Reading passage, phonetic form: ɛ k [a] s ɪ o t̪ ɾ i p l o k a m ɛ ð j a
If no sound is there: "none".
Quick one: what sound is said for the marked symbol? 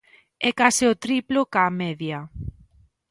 a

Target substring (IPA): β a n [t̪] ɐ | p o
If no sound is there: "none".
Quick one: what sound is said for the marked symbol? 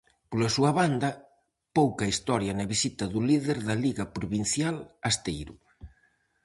d̪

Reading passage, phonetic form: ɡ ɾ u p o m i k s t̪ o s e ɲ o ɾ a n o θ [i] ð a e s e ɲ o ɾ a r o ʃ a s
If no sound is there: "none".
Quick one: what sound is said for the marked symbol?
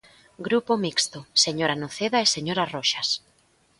e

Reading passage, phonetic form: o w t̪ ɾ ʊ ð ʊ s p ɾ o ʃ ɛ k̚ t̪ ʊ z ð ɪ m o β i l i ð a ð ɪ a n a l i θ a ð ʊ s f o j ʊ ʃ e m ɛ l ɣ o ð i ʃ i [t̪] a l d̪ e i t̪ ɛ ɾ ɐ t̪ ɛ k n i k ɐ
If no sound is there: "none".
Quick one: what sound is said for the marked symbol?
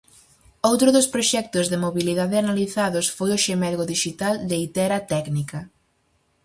t̪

